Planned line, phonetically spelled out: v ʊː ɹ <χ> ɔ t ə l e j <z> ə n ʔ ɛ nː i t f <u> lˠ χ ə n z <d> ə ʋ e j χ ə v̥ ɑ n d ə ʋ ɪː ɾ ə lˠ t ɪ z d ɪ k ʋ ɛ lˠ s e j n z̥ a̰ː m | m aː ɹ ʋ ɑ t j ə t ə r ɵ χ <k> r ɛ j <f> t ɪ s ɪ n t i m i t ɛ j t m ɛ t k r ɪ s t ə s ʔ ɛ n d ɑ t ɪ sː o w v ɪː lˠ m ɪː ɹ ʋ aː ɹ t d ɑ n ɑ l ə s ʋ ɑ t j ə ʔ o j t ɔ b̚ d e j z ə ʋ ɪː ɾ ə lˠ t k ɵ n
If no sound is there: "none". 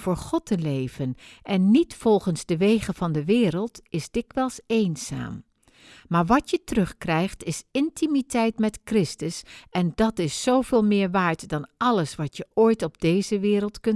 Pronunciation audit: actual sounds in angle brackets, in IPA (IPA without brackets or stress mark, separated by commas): χ, v, ɔ, d, k, χ